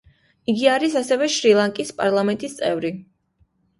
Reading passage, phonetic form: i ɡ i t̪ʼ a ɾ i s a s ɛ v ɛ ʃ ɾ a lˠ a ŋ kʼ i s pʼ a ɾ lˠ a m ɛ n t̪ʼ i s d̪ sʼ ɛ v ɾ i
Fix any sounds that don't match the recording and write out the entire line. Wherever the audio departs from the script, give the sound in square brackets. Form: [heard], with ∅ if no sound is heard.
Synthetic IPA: i ɡ i [∅] a ɾ i s a s ɛ v ɛ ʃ ɾ [i] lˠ a ŋ kʼ i s pʼ a ɾ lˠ a m ɛ n t̪ʼ i s [t̪] sʼ ɛ v ɾ i

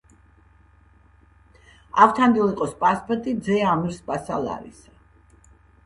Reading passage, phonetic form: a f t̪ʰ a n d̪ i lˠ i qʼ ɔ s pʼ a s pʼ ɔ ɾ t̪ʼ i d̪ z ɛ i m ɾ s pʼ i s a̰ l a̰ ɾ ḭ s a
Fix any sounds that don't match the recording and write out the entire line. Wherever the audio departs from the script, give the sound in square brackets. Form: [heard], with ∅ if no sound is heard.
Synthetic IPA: a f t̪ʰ a n d̪ i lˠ i qʼ ɔ s pʼ a s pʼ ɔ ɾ t̪ʼ i d̪ z ɛ [a] m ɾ s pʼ [a] s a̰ l a̰ ɾ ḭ s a

